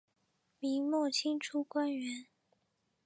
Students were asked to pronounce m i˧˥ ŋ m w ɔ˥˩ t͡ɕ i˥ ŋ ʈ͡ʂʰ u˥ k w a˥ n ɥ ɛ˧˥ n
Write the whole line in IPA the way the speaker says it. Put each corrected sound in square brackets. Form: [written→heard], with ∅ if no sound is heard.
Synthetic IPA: m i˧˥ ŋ m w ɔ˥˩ [t͡ɕ→t͡ɕʰ] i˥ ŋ ʈ͡ʂʰ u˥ k w a˥ n ɥ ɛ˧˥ n